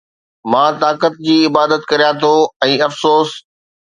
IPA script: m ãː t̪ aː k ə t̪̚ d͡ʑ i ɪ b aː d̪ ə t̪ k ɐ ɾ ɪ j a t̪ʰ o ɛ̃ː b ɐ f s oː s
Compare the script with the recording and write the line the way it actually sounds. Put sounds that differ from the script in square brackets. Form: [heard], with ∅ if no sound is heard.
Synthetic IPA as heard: m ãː t̪ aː k ə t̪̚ d͡ʑ [iː] ɪ b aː d̪ ə t̪ k ɐ ɾ [i] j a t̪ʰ o ɛ̃ː [∅] ɐ f s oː s

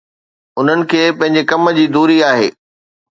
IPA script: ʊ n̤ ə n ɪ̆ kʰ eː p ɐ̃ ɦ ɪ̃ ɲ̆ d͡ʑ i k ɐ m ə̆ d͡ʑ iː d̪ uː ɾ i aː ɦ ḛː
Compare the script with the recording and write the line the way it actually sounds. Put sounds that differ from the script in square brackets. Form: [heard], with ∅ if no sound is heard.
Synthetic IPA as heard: ʊ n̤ ə n ɪ̆ kʰ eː p ɐ̃ ɦ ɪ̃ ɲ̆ d͡ʑ [e] k ɐ m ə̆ d͡ʑ iː d̪ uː ɾ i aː ɦ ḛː

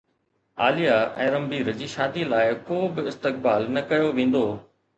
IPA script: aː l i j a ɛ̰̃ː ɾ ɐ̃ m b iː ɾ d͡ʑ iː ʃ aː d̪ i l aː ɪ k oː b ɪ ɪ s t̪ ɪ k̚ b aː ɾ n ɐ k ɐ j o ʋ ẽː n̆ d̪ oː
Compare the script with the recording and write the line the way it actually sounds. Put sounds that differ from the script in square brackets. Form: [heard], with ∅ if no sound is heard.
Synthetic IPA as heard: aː l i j a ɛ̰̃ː ɾ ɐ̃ m b iː ɾ d͡ʑ iː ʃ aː d̪ i l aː ɪ k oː b ɪ ɪ s t̪ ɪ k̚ b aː [l] n ɐ k ɐ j o ʋ ẽː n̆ d̪ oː

